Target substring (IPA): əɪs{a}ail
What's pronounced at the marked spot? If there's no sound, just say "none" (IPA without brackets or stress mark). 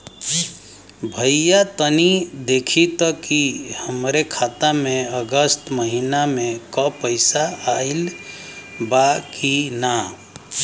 a